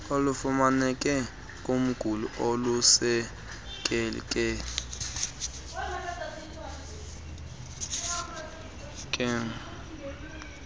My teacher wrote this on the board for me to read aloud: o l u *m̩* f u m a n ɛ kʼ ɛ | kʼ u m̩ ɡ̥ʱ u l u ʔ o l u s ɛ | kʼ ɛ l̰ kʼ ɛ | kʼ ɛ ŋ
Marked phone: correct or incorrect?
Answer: incorrect